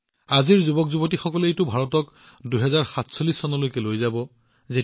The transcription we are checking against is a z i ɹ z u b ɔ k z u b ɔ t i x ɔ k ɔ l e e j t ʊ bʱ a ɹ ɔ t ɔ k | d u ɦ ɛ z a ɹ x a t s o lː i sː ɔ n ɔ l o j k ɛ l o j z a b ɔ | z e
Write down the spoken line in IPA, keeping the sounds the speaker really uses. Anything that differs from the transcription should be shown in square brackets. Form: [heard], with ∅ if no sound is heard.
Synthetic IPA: a z i ɹ z u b ɔ k z u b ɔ t i x ɔ k ɔ l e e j t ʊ bʱ a ɹ ɔ t ɔ k | d u ɦ ɛ z a ɹ x a t s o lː i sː ɔ n ɔ l o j k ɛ l o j z a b ɔ | z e